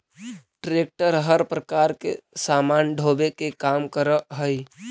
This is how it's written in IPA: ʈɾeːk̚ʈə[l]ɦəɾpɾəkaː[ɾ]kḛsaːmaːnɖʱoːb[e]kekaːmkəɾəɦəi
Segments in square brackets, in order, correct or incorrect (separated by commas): incorrect, correct, correct